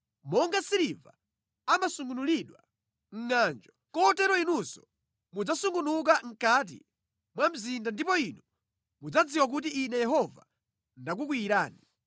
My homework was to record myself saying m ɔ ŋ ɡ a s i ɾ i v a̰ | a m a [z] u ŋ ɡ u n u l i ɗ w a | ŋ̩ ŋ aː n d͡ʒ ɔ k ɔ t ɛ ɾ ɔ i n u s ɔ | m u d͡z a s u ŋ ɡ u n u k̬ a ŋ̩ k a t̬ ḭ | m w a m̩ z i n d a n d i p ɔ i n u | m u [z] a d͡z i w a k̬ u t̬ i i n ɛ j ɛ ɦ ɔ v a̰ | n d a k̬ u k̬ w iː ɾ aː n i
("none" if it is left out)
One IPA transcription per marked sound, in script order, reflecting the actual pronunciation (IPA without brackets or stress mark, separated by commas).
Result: s, d͡z